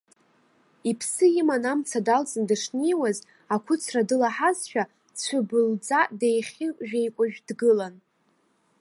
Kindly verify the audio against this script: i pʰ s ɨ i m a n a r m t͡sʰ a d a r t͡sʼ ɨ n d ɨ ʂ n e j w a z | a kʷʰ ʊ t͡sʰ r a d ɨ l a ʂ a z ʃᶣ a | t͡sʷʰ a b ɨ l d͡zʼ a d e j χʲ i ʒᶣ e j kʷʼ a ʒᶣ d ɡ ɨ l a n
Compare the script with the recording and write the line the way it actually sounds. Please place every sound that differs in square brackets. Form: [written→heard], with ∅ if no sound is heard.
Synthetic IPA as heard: i pʰ s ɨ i m a n a [r→∅] m t͡sʰ a d a [r→l] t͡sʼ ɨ n d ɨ ʂ n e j w a z | a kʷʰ ʊ t͡sʰ r a d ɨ l a [ʂ→ħ] a z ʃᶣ a | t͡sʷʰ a b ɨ l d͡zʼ a d e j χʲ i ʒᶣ e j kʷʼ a ʒᶣ d ɡ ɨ l a n